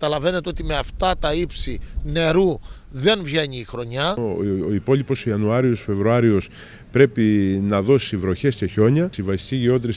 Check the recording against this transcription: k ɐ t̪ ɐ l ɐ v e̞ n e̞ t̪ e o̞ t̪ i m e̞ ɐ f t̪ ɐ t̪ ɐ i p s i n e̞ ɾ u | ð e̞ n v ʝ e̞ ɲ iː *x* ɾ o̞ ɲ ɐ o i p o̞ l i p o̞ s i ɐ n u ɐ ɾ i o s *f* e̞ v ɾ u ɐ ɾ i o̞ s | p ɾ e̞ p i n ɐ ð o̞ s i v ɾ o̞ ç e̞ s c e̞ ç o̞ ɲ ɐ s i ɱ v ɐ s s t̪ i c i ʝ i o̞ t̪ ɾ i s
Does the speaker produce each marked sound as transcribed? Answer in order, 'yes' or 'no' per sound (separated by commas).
yes, yes